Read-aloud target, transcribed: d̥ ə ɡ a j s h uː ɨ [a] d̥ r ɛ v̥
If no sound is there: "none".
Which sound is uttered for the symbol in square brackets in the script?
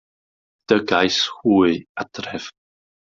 a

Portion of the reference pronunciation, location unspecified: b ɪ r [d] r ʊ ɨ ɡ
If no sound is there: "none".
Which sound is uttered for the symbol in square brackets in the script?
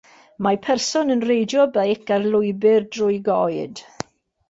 d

